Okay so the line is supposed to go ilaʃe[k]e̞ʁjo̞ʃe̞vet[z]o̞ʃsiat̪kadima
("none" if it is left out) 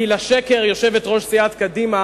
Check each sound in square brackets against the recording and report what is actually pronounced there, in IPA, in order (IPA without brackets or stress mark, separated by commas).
k, ʁ